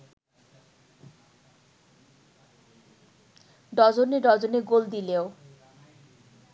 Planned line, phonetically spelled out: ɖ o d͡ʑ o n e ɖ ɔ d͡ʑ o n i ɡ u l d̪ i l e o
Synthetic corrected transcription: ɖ ɔ d͡ʑ o n e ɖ ɔ d͡ʑ o n e ɡ o l d̪ i l e o